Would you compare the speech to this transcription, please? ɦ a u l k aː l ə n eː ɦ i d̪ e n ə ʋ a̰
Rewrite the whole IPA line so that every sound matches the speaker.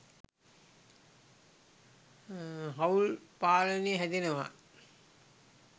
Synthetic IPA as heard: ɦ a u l p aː l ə n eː ɦ æ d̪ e n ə ʋ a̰